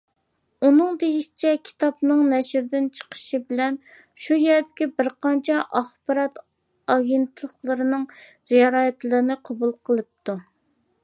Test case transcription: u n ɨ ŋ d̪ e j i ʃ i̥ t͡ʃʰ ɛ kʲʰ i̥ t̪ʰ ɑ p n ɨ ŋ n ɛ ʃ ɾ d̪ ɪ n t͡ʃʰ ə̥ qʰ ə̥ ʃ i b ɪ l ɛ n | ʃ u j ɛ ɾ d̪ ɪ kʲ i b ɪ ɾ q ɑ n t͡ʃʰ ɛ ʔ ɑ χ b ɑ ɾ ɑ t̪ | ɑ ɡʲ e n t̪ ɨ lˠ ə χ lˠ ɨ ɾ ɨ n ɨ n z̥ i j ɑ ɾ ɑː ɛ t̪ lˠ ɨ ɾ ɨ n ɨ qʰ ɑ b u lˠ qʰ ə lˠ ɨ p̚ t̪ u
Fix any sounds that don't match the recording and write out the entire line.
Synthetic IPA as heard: u n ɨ ŋ d̪ e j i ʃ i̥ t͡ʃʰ ɛ kʲʰ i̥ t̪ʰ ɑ p n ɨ ŋ n ɛ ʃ ɾ d̪ ɪ n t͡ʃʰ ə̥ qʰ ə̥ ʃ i b ɪ l ɛ n | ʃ u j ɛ ɾ d̪ ɪ kʲ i b ɪ ɾ q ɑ n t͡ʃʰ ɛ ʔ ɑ χ b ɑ ɾ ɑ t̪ | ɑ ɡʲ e n t̪ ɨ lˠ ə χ lˠ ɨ ɾ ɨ n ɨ ŋ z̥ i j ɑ ɾ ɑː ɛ t̪ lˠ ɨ ɾ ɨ n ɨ qʰ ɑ b u lˠ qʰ ə lˠ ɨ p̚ t̪ u